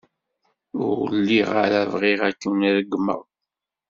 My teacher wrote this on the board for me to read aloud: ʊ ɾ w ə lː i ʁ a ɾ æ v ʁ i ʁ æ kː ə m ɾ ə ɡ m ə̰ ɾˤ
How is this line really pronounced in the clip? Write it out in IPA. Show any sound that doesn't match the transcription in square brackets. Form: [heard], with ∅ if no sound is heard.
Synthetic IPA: ʊ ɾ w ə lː i ʁ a ɾ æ v ʁ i ʁ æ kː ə [n] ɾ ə ɡ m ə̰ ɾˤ